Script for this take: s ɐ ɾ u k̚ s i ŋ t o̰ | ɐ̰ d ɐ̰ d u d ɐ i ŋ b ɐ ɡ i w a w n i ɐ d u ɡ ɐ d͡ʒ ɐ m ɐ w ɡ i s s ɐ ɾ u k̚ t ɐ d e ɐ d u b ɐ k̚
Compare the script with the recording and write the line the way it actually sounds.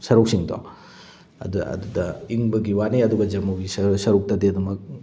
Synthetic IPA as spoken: s ɐ ɾ u k̚ s i ŋ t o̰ | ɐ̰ d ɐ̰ d u d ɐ i ŋ b ɐ ɡ i w a n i ɐ d u ɡ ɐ d͡ʒ ɐ m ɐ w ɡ i s s ɐ ɾ u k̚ t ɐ d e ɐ d u m ɐ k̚